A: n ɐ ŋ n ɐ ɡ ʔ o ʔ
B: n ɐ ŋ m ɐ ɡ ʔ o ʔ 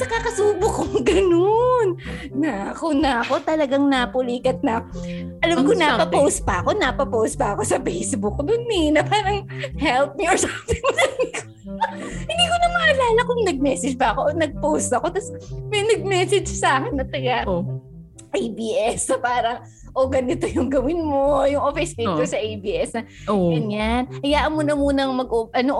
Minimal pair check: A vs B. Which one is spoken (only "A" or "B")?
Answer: B